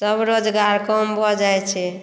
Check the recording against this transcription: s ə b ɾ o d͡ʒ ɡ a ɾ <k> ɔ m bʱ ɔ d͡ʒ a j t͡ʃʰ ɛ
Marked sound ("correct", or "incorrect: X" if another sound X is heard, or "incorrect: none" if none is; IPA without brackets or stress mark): correct